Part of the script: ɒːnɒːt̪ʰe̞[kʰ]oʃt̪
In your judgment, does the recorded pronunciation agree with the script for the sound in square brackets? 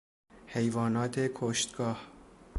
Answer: yes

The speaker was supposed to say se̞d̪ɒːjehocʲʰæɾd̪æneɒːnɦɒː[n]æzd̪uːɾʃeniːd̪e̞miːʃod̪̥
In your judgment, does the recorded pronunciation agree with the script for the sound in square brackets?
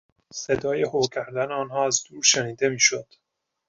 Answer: no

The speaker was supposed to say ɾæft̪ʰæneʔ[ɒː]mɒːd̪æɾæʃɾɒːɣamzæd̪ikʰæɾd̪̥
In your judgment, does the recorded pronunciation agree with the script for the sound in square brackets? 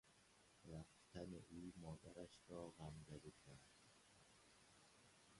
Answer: no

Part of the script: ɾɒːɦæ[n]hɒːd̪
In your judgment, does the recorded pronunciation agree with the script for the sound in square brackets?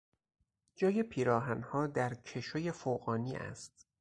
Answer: yes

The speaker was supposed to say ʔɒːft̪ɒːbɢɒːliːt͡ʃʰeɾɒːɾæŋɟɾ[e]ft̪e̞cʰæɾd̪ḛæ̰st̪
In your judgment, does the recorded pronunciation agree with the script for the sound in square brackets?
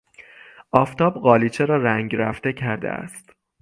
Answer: no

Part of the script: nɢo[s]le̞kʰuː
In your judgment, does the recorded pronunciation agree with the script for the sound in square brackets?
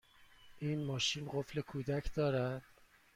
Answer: no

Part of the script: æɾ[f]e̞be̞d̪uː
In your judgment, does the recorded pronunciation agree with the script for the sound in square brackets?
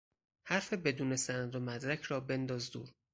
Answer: yes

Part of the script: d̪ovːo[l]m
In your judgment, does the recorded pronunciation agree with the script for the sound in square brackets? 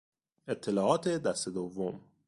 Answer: no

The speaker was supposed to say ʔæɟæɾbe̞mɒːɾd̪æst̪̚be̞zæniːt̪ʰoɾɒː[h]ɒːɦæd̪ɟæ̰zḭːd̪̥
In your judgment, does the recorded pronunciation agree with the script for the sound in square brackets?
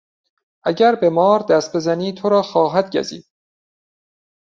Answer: no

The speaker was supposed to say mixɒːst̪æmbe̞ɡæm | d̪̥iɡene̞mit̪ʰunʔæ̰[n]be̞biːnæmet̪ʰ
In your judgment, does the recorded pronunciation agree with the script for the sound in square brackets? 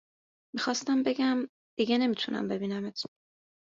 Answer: no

